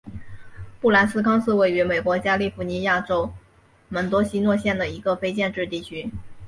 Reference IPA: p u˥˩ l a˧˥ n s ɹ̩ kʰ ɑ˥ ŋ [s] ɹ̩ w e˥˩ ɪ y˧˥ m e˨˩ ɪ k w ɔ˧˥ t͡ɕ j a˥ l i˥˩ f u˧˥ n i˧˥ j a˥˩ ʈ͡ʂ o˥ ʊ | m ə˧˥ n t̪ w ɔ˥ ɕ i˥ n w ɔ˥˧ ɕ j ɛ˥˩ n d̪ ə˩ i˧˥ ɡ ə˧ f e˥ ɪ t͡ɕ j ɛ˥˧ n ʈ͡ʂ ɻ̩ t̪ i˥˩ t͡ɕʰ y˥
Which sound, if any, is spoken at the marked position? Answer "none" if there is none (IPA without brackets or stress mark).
s